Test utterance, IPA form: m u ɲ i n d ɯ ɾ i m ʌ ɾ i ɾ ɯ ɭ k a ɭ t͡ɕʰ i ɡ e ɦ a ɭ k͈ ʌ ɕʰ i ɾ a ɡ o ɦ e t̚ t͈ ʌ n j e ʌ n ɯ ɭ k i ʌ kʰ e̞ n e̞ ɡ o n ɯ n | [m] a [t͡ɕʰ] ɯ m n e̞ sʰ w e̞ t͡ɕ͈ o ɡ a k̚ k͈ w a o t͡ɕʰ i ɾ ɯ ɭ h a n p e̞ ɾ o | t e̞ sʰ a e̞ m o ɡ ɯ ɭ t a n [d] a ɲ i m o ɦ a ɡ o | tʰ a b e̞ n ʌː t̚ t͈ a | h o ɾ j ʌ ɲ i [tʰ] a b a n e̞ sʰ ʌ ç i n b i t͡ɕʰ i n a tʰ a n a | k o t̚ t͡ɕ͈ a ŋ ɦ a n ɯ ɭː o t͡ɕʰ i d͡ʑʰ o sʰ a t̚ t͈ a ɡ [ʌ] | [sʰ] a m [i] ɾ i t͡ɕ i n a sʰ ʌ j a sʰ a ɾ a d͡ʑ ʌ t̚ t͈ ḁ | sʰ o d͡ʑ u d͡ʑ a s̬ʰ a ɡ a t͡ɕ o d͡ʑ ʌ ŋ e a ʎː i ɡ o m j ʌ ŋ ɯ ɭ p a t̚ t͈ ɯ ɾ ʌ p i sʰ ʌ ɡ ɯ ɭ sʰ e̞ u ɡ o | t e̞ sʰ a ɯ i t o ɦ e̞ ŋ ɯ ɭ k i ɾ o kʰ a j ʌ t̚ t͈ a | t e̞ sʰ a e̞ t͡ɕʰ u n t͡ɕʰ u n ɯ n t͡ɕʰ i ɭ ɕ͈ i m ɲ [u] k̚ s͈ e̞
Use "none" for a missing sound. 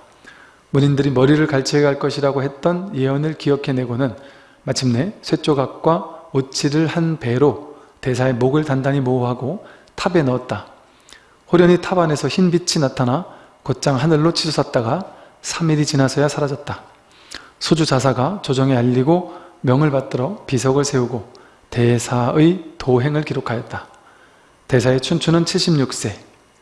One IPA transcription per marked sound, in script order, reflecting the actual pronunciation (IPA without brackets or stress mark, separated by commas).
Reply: m, t͡ɕʰ, d, tʰ, a, sʰ, i, u